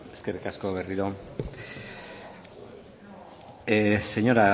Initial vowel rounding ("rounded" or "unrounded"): unrounded